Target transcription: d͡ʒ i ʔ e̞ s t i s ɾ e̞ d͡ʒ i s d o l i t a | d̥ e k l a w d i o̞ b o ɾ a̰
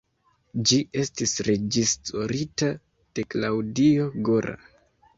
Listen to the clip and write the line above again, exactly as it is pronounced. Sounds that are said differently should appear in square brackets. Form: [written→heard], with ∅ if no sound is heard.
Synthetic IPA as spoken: d͡ʒ i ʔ e̞ s t i s ɾ e̞ d͡ʒ i s [d→t] o [l→ɾ] i t a | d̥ e k l a w d i o̞ [b→ɡ] o ɾ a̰